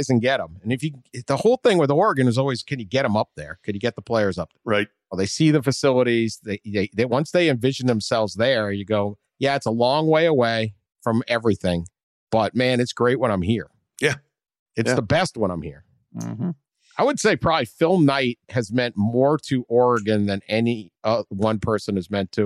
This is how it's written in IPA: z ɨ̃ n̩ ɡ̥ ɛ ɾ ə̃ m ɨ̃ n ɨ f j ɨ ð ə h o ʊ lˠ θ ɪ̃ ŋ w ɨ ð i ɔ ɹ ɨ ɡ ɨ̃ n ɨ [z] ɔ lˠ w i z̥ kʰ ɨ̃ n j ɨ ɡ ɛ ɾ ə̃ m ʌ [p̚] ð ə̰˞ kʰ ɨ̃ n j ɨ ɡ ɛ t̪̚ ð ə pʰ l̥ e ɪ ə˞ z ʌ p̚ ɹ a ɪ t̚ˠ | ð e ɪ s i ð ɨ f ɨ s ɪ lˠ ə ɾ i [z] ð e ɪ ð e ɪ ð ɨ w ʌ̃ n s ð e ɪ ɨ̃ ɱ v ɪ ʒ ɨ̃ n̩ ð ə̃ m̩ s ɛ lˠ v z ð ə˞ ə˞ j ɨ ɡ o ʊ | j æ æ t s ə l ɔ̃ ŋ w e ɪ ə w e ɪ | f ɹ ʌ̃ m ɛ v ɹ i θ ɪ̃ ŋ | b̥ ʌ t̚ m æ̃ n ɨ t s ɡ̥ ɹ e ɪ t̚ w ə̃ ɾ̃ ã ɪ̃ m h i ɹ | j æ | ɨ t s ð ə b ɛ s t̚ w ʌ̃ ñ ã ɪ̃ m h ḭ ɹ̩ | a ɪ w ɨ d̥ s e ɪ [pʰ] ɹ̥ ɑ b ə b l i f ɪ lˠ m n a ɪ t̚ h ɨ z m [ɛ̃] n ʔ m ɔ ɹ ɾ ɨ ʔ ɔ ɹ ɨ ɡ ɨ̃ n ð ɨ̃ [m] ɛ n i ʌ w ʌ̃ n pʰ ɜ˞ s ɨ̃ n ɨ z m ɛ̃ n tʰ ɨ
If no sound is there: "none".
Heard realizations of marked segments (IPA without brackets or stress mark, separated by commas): z, p̚, z, pʰ, ɛ̃, n